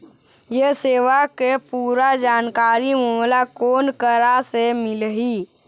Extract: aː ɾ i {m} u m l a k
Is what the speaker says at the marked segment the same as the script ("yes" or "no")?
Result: yes